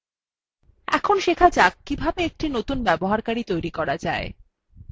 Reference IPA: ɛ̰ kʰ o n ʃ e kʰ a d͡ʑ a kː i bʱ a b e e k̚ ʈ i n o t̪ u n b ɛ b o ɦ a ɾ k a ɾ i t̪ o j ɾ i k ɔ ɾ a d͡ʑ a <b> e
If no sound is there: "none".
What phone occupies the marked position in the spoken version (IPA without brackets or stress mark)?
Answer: none